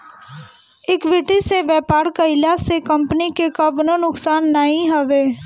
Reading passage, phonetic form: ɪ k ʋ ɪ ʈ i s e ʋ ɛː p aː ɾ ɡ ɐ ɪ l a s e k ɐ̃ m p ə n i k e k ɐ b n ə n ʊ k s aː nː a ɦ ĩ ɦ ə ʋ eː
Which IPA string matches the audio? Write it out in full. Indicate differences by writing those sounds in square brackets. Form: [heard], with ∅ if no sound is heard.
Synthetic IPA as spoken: ɪ k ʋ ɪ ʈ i s e ʋ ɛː p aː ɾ [k] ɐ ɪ l a s e k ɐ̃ m p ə n i k e k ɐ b n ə n ʊ k s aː nː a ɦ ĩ ɦ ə ʋ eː